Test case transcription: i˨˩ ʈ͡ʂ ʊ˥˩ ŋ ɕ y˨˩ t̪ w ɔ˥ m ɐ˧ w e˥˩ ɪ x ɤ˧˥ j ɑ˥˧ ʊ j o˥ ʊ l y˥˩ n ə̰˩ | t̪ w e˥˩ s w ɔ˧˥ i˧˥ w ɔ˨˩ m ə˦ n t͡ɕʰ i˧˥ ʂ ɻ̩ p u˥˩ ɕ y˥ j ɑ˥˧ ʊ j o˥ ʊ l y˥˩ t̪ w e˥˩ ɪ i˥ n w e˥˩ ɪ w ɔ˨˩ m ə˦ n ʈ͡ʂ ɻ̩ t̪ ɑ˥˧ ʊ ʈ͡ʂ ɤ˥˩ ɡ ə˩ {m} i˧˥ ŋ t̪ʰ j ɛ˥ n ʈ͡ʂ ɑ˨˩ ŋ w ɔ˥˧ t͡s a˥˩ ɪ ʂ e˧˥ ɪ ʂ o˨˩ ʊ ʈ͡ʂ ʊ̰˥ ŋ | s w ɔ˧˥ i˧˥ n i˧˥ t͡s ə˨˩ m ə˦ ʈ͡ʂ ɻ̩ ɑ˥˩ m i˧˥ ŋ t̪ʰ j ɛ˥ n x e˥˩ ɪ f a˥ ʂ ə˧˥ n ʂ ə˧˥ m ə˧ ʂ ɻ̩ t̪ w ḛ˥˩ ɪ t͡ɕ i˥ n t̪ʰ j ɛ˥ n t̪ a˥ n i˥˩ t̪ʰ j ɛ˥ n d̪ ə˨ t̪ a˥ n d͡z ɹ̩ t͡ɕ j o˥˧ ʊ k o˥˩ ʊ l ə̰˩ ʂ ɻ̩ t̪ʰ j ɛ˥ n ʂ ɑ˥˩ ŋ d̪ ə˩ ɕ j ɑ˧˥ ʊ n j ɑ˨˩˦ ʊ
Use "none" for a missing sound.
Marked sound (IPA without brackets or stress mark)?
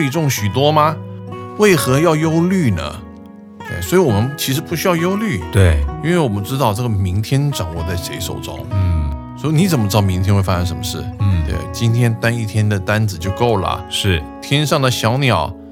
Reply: m